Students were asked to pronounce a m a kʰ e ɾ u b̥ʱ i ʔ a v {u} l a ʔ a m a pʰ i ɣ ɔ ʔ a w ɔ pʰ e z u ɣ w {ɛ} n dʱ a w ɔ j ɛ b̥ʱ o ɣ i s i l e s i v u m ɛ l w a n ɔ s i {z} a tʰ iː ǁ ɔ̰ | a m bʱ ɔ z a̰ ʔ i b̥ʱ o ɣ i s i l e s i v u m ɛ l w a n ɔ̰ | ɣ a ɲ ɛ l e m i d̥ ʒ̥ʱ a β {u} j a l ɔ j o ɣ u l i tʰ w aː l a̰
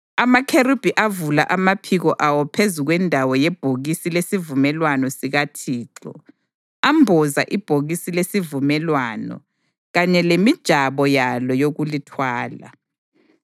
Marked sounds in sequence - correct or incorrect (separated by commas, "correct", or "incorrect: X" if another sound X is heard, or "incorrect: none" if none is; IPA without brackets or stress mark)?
correct, correct, incorrect: ɣ, incorrect: ɔ